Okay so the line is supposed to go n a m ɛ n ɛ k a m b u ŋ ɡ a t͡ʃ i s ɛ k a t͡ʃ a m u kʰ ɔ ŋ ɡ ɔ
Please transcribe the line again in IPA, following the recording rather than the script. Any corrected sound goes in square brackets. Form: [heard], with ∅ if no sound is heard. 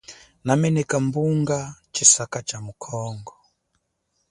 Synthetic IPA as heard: n a m ɛ n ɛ k a m b u ŋ ɡ a t͡ʃ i s [a] k a t͡ʃ a m u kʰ ɔ ŋ ɡ ɔ